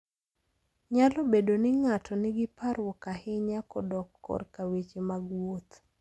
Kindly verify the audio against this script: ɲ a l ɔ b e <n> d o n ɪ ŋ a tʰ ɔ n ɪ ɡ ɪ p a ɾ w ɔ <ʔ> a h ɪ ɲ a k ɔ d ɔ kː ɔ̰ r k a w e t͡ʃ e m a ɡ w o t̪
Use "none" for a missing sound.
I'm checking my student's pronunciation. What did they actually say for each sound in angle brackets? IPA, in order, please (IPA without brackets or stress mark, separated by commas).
none, k